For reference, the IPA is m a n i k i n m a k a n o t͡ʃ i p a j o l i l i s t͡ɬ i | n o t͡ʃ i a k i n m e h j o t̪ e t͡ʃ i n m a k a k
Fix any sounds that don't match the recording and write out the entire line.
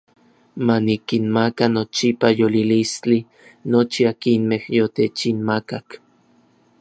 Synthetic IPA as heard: m a n i k i n m a k a n o t͡ʃ i p a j o l i l i s t͡ɬ i | n o t͡ʃ i a k i n m e h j o t̪ e t͡ʃ i n m a k a k